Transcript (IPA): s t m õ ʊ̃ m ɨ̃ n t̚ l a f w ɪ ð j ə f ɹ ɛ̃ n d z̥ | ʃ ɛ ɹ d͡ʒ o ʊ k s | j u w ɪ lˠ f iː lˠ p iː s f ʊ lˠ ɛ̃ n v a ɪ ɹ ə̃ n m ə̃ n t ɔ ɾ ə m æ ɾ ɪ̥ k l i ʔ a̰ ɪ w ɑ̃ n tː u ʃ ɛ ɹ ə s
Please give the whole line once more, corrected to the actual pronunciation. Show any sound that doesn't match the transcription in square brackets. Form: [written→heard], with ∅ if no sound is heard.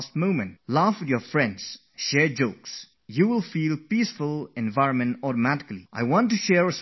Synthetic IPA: s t m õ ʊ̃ m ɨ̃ n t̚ l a f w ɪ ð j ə f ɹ ɛ̃ n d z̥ | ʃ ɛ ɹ d͡ʒ o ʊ k s | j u w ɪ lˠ f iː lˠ p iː s f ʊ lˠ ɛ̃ n v a ɪ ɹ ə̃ n m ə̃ n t ɔ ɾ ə m æ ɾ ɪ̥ k l i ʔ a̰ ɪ w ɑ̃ n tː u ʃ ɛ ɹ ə s